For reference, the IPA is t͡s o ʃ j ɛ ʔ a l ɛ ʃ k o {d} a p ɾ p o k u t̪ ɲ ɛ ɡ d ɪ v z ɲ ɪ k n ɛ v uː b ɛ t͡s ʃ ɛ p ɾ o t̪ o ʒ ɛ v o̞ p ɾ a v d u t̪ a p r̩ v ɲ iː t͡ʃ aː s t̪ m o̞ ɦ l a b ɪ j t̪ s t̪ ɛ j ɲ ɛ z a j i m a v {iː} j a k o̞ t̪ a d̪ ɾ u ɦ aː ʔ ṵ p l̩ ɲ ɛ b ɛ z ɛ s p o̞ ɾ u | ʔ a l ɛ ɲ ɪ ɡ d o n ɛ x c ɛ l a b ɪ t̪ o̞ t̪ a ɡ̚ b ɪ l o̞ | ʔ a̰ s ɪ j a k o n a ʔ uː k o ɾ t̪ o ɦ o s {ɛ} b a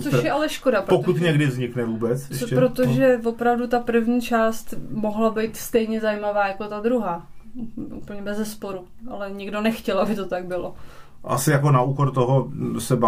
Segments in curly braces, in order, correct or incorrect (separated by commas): correct, incorrect, correct